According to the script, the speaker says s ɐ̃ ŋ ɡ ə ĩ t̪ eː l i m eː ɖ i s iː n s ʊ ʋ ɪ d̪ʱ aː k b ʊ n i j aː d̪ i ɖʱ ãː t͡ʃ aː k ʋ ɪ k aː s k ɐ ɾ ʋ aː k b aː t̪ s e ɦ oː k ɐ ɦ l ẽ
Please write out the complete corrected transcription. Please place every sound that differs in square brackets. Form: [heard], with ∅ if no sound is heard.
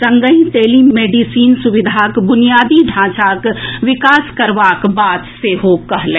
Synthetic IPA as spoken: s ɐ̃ ŋ ɡ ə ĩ t̪ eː l i m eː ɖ i s iː n s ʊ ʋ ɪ d̪ʱ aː k b ʊ n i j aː d̪ i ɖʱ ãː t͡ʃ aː k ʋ ɪ k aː s k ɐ ɾ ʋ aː k b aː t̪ s e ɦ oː k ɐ ɦ l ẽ